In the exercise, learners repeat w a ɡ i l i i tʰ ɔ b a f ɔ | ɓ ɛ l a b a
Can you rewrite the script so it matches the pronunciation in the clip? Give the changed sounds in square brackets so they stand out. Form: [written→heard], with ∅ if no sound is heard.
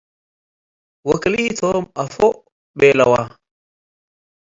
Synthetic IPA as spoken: w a [ɡ→k] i l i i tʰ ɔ [b→m] a f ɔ | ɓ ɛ l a [b→w] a